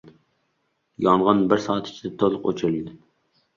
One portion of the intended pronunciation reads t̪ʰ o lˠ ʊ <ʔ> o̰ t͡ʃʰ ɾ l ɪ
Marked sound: incorrect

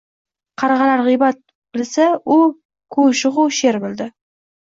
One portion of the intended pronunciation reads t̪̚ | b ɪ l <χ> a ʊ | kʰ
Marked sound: incorrect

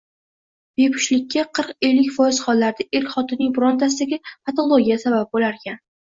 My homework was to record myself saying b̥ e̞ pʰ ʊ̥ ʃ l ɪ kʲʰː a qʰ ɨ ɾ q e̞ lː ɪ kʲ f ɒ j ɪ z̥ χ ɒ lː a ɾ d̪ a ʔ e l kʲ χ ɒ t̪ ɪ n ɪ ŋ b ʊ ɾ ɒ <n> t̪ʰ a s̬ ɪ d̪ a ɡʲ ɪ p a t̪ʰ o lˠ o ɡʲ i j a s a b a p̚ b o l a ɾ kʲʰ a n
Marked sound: correct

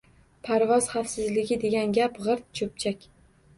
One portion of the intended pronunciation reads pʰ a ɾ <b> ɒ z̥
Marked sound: incorrect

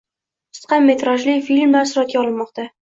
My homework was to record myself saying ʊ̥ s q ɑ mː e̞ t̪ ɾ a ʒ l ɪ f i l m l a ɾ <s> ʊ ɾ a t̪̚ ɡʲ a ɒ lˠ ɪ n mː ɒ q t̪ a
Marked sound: correct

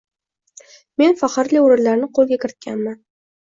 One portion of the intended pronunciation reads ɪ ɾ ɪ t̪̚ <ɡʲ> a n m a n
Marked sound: incorrect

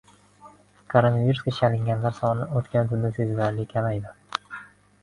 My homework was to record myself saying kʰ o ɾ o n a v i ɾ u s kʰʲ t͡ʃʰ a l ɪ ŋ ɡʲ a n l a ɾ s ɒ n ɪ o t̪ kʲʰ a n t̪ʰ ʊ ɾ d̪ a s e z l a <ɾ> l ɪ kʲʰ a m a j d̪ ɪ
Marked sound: correct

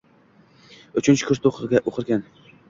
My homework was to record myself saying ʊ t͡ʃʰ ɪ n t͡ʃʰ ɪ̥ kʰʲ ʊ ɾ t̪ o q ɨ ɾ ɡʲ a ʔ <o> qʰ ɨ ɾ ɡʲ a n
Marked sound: correct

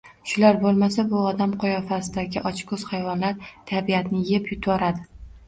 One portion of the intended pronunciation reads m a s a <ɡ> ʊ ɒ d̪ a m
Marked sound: incorrect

